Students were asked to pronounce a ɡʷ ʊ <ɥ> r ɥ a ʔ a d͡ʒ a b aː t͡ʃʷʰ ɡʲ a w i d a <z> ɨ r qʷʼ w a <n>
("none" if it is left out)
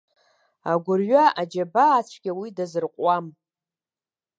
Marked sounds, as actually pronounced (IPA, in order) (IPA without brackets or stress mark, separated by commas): none, z, m